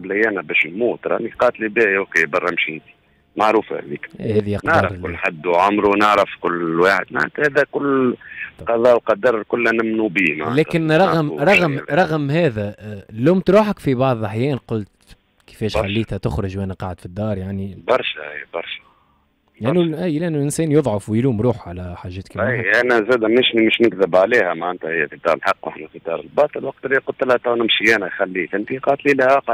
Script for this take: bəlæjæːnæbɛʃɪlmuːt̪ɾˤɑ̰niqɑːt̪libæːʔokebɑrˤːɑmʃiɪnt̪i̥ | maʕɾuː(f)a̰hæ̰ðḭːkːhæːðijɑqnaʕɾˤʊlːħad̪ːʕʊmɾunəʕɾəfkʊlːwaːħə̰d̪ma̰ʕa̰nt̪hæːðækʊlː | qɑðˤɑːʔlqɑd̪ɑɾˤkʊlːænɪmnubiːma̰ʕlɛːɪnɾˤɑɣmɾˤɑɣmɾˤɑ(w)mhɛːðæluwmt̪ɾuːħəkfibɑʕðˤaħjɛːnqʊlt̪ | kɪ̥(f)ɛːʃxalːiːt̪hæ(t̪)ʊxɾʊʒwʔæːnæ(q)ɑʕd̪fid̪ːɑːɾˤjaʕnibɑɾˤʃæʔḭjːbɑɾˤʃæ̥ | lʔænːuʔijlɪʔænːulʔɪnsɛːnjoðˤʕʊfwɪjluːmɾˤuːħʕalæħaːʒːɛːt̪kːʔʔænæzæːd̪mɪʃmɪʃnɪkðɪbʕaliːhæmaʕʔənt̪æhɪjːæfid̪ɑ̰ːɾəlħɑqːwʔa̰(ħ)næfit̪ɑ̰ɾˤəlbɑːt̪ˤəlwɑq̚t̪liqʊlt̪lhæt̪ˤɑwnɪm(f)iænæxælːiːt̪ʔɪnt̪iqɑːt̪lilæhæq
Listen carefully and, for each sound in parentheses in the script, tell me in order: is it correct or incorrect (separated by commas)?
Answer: correct, incorrect, correct, correct, correct, correct, incorrect